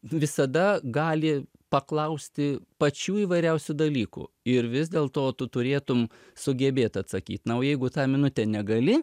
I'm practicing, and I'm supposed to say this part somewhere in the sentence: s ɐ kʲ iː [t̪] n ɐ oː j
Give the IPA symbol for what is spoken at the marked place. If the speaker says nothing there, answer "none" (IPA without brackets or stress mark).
t̪